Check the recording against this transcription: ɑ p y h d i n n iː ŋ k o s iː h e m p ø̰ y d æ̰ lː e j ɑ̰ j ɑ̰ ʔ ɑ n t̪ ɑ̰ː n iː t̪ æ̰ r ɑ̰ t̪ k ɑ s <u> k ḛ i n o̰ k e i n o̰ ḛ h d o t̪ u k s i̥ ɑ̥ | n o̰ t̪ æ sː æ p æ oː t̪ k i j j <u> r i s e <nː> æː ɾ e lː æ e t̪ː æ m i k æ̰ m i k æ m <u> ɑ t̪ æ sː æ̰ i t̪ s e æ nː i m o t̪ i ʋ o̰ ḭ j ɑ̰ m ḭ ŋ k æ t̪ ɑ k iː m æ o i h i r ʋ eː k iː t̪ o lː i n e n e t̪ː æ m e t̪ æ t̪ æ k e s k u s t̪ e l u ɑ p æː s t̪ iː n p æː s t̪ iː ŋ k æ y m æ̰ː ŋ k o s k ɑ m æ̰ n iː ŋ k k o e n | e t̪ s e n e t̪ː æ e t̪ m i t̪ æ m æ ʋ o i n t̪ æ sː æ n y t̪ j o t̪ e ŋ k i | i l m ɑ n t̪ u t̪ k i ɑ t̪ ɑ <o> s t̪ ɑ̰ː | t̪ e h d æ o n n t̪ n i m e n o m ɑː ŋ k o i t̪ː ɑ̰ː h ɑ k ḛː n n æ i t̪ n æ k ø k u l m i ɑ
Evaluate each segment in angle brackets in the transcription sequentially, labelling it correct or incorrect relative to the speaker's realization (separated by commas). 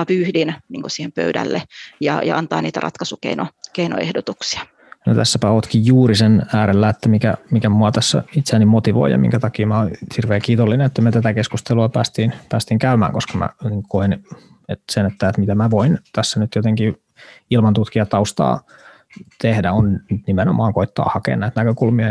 correct, incorrect, incorrect, correct, incorrect